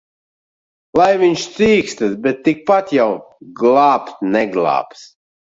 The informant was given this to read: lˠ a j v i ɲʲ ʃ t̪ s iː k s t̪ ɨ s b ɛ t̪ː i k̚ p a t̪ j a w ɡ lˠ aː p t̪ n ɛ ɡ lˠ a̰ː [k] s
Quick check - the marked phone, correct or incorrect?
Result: incorrect